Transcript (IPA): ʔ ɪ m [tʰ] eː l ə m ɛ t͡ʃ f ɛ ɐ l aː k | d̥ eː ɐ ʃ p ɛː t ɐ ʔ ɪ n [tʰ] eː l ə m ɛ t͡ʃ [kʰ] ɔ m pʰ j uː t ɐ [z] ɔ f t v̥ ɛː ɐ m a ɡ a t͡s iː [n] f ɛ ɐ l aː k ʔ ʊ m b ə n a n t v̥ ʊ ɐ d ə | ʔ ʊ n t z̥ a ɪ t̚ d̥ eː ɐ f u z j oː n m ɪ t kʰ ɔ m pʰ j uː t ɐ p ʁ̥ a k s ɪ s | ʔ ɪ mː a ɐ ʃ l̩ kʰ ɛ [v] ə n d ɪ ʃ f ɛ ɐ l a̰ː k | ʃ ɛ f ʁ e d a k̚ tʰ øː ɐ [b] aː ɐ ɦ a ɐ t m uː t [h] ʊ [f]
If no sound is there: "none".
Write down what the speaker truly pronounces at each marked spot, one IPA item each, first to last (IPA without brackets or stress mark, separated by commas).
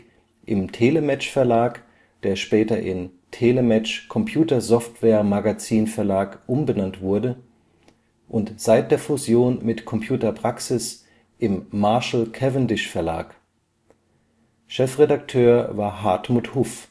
tʰ, tʰ, kʰ, z, n, v, v, h, f